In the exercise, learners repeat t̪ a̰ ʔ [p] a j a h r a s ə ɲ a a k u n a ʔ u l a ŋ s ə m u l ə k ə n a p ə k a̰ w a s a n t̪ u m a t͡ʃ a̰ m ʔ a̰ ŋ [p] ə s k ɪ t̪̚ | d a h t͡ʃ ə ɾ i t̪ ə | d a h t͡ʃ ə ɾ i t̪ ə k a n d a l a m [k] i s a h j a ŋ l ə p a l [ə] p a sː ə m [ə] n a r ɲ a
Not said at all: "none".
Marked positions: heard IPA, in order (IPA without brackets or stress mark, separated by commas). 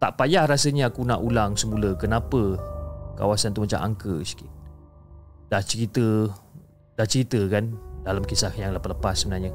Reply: p, k, k, ə, ə